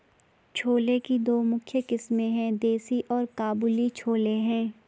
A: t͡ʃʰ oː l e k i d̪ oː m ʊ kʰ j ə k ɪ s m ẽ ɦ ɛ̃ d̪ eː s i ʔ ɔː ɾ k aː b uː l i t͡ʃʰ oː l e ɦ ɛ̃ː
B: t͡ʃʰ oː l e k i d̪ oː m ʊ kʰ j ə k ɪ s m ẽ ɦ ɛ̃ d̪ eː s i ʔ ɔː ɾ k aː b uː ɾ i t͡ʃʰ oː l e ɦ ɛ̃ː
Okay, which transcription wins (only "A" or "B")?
A